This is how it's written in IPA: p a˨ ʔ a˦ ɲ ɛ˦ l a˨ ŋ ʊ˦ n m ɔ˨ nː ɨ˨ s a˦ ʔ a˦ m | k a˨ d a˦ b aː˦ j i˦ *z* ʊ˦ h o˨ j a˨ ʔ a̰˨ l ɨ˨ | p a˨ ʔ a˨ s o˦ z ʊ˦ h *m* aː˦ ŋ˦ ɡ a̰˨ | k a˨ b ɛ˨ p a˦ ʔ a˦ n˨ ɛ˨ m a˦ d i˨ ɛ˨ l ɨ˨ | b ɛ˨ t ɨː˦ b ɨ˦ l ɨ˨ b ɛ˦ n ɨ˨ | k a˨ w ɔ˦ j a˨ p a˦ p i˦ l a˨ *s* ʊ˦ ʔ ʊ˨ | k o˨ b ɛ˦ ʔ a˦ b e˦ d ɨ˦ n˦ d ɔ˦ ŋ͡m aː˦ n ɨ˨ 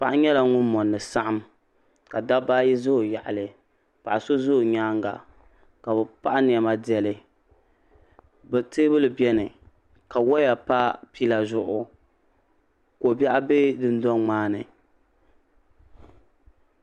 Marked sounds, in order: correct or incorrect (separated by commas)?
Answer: correct, incorrect, incorrect